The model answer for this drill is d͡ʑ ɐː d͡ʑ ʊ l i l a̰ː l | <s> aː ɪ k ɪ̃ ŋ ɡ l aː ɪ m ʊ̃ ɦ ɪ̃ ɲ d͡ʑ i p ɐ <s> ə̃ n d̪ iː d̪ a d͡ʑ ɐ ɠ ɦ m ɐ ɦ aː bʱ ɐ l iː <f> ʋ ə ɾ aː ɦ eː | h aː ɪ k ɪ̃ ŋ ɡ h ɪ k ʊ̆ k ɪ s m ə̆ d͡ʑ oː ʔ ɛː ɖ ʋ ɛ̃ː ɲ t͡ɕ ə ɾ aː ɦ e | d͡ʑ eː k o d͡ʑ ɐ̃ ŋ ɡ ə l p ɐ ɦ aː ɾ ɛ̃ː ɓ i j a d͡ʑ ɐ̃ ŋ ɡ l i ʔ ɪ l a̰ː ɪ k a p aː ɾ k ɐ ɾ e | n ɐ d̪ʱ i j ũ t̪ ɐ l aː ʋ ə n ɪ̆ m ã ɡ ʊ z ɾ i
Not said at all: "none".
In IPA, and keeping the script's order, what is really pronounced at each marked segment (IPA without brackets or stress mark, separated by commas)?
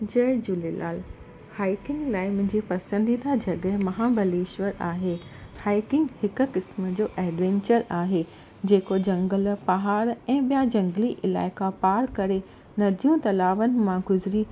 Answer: h, s, ʃ